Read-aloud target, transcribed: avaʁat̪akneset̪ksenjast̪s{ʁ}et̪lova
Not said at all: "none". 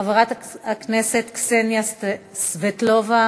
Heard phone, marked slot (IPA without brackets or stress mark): v